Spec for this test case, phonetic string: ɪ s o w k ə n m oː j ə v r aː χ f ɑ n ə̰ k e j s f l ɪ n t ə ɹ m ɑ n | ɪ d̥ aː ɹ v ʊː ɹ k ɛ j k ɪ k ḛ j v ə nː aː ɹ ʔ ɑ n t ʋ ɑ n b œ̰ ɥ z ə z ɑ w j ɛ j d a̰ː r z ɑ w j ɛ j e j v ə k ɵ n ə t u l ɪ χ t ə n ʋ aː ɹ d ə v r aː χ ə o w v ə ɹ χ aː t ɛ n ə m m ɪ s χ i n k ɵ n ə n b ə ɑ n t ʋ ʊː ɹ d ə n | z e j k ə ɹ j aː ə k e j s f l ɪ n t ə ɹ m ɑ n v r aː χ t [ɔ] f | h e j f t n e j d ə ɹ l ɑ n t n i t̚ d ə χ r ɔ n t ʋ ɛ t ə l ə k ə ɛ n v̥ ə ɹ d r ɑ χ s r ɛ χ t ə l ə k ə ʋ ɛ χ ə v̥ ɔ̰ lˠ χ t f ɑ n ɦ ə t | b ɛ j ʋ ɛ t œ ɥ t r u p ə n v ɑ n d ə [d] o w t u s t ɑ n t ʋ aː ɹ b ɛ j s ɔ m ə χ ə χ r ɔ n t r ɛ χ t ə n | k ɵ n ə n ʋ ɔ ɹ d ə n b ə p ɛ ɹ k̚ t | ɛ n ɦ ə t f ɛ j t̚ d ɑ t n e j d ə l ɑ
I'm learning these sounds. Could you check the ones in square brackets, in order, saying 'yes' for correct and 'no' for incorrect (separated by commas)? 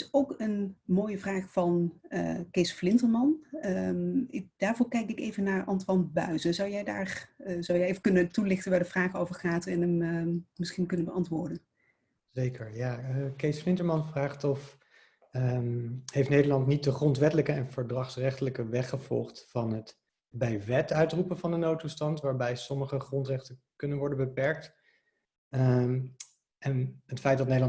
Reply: yes, no